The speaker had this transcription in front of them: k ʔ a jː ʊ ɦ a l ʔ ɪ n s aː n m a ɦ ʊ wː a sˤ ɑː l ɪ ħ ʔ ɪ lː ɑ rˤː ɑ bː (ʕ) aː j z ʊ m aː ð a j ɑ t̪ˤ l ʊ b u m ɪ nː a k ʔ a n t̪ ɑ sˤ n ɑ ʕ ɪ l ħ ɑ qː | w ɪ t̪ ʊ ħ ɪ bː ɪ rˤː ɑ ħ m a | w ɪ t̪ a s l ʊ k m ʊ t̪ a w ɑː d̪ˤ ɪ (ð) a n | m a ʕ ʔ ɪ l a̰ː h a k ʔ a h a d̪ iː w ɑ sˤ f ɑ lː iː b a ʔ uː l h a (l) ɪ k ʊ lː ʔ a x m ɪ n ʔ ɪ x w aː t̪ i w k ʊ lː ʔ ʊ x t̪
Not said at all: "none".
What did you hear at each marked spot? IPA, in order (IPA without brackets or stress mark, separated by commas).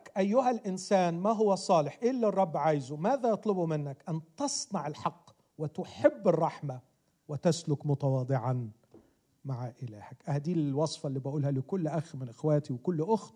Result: ʕ, ʕ, l